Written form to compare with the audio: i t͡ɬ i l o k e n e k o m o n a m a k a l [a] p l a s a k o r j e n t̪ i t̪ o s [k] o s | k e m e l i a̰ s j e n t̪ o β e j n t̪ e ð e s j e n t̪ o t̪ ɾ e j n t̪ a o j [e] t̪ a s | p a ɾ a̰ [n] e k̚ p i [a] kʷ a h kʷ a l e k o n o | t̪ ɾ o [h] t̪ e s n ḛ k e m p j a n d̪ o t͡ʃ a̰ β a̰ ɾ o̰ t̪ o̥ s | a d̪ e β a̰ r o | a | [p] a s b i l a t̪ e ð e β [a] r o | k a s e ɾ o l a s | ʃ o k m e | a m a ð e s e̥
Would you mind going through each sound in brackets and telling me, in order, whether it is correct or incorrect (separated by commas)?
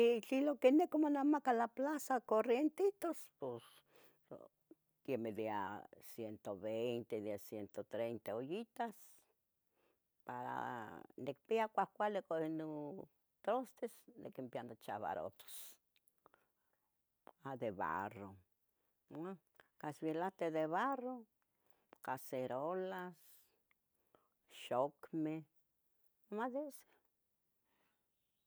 correct, incorrect, incorrect, correct, correct, incorrect, incorrect, correct